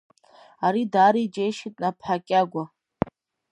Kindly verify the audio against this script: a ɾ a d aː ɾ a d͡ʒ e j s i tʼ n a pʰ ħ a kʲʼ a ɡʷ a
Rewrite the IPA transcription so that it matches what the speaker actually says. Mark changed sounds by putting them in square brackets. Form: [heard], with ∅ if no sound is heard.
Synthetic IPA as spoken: a ɾ [i] d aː ɾ [i] d͡ʒ e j [ʃ] i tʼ n a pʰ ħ a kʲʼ a ɡʷ a